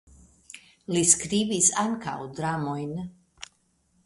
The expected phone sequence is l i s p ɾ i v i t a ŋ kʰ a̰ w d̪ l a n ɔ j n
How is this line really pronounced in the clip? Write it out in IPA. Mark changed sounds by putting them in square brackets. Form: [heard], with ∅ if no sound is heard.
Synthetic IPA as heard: l i s [k] ɾ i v i [s] a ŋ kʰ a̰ w d̪ [ɾ] a [m] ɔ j n